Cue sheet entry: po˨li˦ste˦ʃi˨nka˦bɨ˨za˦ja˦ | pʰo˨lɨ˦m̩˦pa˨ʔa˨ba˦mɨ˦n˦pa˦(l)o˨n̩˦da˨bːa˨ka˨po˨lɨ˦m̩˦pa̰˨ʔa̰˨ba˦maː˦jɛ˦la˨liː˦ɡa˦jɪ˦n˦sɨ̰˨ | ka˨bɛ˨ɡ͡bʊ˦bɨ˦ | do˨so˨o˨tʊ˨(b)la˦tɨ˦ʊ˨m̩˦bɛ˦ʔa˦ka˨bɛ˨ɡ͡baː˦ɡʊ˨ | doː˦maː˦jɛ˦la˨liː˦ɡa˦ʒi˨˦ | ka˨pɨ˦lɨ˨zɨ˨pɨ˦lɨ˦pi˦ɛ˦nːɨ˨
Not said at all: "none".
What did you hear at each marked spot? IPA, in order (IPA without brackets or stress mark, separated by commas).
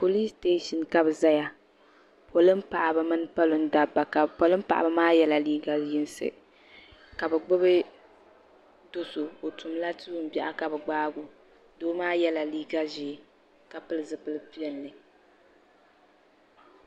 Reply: l, m